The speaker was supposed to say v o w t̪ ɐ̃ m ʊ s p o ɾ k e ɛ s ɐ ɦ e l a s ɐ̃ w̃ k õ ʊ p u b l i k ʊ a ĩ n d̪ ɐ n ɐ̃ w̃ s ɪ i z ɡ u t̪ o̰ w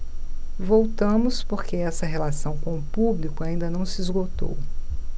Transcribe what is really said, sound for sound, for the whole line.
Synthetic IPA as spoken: v o w t̪ ɐ̃ m ʊ s p o ɾ k e ɛ s ɐ ɦ e l a s ɐ̃ w̃ k õ ʊ p u b l i k ʊ a ĩ n d̪ ɐ n ɐ̃ w̃ s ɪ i z ɡ o t̪ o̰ w

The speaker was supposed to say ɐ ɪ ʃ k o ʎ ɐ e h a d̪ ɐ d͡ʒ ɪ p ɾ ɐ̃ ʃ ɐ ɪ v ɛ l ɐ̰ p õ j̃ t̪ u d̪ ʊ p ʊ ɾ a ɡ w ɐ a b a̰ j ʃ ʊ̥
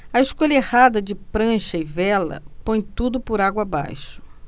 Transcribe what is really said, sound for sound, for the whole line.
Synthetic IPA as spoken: ɐ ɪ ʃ k o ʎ ɐ e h a d̪ ɐ d͡ʒ ɪ p ɾ ɐ̃ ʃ ɐ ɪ v ɛ l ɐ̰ p õ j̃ t̪ u d̪ ʊ p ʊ ɾ a ɡ w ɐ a b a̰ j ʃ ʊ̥

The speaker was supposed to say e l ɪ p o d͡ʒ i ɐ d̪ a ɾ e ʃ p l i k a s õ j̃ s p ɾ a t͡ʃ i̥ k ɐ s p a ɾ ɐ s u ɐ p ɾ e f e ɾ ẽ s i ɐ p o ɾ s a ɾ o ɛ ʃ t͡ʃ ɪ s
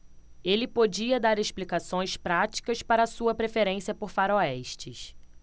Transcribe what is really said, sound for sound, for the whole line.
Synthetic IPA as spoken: e l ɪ p o d͡ʒ i ɐ d̪ a ɾ e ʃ p l i k a s õ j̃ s p ɾ a t͡ʃ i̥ k ɐ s p a ɾ ɐ s u ɐ p ɾ e f e ɾ ẽ s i ɐ p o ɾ f a ɾ o ɛ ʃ t͡ʃ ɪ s

